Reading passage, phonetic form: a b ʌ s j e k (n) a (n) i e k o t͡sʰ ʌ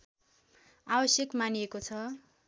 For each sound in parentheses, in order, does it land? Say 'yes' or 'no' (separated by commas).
no, yes